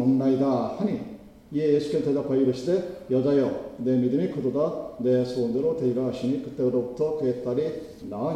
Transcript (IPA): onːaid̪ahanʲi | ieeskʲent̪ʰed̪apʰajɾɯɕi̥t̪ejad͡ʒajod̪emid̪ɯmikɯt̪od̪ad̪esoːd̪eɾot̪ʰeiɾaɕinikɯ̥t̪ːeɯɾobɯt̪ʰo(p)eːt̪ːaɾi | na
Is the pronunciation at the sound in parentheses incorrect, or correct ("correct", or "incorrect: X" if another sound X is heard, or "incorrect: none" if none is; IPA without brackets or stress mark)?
incorrect: k